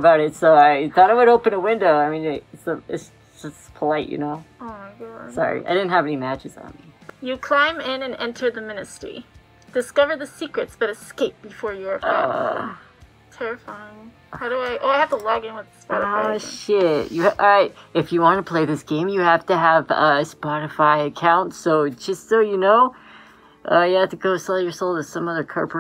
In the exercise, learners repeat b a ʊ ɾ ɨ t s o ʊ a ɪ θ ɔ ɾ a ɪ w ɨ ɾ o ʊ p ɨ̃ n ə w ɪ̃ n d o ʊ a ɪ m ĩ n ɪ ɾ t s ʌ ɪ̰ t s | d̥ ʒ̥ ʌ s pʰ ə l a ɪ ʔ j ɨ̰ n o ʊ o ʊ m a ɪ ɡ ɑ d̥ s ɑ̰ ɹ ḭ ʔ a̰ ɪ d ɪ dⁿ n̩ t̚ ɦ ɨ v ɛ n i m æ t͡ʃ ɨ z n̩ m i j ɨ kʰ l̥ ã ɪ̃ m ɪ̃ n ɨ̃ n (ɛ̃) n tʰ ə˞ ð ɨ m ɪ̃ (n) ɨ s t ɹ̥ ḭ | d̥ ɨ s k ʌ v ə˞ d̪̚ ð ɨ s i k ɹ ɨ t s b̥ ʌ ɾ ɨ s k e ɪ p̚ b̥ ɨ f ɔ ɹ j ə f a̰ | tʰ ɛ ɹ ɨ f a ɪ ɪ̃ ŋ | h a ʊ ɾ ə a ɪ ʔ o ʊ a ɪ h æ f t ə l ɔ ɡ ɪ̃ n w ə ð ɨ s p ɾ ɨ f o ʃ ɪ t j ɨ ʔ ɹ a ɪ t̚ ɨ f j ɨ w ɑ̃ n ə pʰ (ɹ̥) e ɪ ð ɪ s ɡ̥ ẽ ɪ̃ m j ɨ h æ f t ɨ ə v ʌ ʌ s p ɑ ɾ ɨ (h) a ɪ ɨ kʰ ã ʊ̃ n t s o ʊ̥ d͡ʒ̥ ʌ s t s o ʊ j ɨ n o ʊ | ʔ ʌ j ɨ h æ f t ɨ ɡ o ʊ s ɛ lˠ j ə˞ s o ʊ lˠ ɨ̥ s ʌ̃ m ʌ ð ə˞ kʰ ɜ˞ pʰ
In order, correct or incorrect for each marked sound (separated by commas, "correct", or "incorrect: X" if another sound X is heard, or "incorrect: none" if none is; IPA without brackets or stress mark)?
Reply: correct, correct, incorrect: l̥, incorrect: f